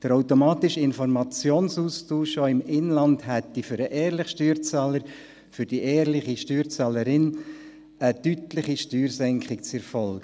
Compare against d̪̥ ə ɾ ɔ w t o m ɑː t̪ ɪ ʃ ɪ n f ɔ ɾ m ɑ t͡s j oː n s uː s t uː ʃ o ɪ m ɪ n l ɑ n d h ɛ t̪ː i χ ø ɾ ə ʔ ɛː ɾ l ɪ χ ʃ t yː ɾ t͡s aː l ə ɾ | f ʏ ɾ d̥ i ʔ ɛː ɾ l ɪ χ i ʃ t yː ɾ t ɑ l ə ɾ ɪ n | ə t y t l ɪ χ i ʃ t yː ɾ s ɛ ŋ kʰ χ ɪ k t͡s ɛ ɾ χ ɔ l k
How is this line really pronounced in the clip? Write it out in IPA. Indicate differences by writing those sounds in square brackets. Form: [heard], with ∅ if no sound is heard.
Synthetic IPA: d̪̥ ə ɾ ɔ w t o m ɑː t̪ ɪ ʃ ɪ n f ɔ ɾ m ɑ t͡s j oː n s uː s t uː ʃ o ɪ m ɪ n l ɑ n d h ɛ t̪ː i [f] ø ɾ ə ʔ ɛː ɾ l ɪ χ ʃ t yː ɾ t͡s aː l ə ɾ | f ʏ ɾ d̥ i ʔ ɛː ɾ l ɪ χ i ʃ t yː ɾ [t͡s] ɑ l ə ɾ ɪ n | ə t y t l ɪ χ i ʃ t yː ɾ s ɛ ŋ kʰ χ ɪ k t͡s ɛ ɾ [f] ɔ l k